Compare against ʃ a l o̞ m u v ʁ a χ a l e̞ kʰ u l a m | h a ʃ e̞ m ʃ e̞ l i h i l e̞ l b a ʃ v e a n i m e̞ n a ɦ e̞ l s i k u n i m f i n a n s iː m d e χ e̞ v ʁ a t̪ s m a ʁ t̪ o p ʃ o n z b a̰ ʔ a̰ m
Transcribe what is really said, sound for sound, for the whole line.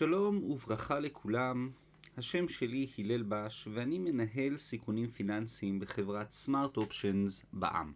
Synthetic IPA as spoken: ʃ a l o̞ m u v ʁ a χ a l e̞ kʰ u l a m | h a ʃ e̞ m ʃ e̞ l i h i l e̞ l b a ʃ v e a n i m e̞ n a ɦ e̞ l s i k u n i m f i n a n s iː m b e χ e̞ v ʁ a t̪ s m a ʁ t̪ o p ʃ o n z b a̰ ʔ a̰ m